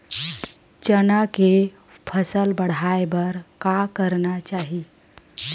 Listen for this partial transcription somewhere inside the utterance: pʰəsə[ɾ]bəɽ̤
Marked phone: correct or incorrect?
incorrect